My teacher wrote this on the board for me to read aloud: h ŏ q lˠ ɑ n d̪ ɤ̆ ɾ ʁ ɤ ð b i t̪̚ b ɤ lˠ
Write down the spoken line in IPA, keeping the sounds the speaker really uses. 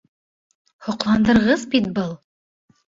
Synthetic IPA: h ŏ q lˠ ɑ n d̪ ɤ̆ ɾ ʁ ɤ z b i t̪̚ b ɤ lˠ